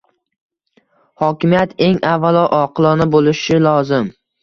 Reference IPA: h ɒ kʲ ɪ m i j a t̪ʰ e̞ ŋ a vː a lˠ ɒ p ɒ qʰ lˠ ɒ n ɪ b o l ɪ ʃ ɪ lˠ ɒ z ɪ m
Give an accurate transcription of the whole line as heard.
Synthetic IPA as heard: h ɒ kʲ ɪ m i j a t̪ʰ e̞ ŋ a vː a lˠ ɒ ʔ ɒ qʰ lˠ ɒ n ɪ b o l ɪ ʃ ɪ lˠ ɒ z ɪ m